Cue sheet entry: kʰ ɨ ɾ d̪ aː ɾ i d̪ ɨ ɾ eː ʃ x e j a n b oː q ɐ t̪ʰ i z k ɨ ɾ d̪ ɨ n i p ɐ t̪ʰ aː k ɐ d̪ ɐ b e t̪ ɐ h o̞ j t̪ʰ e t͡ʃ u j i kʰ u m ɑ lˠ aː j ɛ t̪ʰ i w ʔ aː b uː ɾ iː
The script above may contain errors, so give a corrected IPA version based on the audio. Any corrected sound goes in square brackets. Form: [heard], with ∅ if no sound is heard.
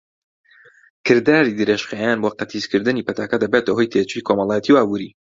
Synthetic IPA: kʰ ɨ ɾ d̪ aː ɾ i d̪ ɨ ɾ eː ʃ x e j a n b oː q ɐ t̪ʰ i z k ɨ ɾ d̪ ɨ n i p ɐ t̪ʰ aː k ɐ d̪ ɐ b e t̪ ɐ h o̞ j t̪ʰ e t͡ʃ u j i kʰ [o] m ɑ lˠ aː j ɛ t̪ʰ i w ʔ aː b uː ɾ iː